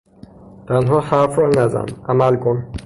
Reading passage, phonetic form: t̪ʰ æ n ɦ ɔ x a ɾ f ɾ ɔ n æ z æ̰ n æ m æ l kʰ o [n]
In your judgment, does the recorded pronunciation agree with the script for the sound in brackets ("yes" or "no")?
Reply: yes